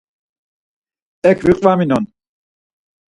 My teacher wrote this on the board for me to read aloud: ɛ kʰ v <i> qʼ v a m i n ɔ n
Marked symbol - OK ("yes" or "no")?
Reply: yes